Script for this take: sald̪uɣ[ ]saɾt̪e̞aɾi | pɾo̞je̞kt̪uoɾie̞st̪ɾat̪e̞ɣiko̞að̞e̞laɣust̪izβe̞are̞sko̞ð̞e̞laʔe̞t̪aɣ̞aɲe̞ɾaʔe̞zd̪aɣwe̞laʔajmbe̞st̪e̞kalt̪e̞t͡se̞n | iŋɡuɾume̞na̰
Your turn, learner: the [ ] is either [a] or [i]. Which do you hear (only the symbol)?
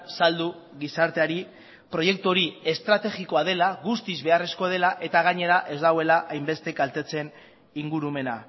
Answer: i